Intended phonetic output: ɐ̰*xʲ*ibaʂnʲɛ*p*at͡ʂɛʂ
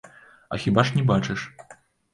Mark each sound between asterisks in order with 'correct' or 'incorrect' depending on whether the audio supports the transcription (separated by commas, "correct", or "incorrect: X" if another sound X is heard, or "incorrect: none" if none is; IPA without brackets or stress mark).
correct, incorrect: b